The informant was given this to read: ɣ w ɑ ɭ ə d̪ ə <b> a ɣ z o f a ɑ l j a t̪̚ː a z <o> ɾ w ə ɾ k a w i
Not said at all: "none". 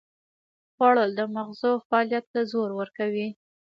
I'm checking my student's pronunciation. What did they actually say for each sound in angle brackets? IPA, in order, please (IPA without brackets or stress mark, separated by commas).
m, o